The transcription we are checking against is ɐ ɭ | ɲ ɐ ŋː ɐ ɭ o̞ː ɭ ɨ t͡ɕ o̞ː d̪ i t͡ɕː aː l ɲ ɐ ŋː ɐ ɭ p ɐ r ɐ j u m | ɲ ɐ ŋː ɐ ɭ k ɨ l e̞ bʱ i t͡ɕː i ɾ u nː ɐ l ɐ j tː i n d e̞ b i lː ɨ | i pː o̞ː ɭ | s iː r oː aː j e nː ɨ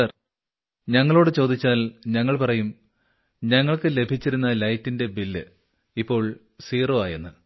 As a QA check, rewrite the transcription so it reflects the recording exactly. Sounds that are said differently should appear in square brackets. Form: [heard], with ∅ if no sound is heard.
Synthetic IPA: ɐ [r] | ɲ ɐ ŋː ɐ ɭ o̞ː [ɽ] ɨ t͡ɕ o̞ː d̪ i t͡ɕː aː l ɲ ɐ ŋː ɐ ɭ p ɐ r ɐ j u m | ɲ ɐ ŋː ɐ ɭ k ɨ l e̞ bʱ i t͡ɕː i ɾ u nː ɐ l ɐ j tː i n d e̞ b i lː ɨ | i pː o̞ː ɭ | s iː r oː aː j e nː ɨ